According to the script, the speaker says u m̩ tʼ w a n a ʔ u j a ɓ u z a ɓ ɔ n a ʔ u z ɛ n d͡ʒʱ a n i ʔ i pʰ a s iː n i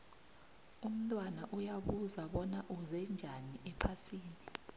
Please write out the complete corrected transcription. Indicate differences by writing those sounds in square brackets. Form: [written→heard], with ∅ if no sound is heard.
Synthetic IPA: u m̩ tʼ w a n a ʔ u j a ɓ u z a ɓ ɔ n a ʔ u z ɛ n d͡ʒʱ a n i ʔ [i→ɛ] pʰ a s iː n i